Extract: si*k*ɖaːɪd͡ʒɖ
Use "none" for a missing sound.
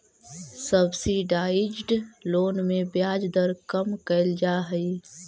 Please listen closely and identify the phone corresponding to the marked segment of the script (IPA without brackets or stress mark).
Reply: none